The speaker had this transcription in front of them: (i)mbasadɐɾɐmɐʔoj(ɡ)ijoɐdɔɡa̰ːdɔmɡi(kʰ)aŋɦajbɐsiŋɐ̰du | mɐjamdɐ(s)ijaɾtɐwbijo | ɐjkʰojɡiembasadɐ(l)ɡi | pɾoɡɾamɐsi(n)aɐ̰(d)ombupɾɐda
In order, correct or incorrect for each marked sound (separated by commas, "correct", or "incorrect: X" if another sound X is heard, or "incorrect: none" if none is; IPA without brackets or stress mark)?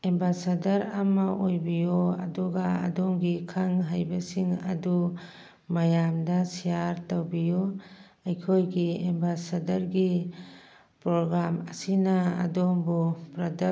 incorrect: e, incorrect: b, correct, correct, incorrect: ɾ, correct, correct